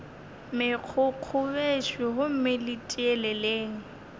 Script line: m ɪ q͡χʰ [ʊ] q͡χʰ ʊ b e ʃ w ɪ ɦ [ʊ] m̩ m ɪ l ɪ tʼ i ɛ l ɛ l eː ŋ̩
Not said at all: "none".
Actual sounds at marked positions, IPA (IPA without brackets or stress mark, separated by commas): ʊ, ʊ